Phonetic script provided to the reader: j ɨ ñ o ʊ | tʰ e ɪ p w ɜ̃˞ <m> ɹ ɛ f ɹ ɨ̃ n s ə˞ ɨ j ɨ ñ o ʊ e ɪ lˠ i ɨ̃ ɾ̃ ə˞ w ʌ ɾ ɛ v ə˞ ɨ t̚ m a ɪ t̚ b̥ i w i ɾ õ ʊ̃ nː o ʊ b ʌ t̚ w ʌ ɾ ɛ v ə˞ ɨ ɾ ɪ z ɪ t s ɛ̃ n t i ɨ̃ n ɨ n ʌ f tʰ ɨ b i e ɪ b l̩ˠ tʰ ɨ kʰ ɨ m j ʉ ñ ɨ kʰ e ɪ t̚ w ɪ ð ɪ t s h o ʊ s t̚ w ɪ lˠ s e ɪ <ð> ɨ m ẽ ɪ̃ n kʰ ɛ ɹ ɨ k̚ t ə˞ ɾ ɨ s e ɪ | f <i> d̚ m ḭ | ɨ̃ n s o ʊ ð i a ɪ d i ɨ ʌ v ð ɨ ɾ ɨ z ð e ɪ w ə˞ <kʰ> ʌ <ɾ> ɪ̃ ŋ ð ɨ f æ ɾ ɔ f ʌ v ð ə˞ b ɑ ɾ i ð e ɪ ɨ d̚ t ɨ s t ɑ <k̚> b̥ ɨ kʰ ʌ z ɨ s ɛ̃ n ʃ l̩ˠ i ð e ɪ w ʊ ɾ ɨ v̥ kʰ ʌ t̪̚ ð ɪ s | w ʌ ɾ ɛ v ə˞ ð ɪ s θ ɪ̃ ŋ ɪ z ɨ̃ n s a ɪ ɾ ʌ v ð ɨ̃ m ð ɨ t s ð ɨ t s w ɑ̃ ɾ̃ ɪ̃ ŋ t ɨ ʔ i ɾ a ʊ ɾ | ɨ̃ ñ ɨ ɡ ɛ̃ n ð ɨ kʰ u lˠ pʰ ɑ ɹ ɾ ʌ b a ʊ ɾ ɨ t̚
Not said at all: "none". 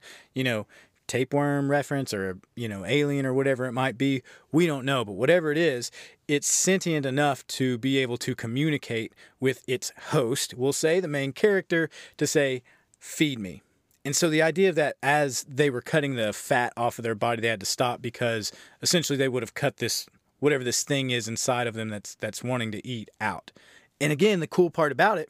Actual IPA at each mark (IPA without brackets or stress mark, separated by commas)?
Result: m, ð, i, kʰ, ɾ, p̚